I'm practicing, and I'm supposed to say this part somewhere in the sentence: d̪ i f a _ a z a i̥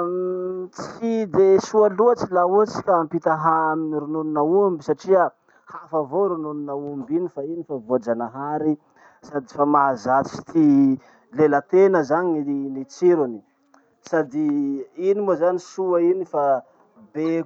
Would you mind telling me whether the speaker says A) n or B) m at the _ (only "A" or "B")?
B